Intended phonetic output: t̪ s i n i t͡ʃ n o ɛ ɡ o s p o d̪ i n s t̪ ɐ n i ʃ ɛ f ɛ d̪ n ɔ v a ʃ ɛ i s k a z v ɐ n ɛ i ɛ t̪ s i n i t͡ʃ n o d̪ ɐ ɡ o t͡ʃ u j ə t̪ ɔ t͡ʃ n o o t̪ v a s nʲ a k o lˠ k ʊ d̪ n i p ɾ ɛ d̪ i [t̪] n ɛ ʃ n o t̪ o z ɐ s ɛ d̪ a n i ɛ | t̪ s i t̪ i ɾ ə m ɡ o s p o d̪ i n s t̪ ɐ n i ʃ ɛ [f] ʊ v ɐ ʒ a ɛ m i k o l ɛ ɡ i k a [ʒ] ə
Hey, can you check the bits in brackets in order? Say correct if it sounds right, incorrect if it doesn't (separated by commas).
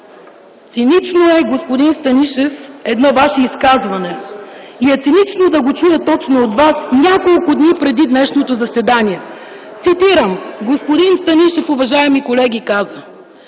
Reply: incorrect, correct, incorrect